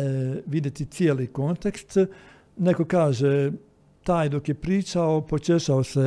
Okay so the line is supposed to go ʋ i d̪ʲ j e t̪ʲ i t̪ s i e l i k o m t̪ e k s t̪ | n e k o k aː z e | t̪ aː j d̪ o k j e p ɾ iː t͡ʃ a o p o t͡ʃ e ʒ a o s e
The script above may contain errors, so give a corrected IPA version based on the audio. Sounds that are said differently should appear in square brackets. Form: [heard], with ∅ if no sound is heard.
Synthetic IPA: ʋ i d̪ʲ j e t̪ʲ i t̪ s i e l i k o [n] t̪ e k s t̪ | n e k o k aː [ʒ] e | t̪ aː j d̪ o k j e p ɾ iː t͡ʃ a o p o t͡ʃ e [ʃ] a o s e